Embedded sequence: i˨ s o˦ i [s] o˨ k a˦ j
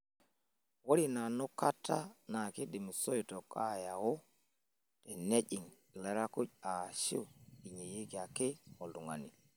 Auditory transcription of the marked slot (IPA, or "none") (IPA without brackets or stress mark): t